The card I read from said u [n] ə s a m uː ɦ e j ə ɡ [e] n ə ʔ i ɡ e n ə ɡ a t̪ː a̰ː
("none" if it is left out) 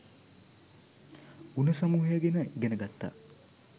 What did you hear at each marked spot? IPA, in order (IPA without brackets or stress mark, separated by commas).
n, e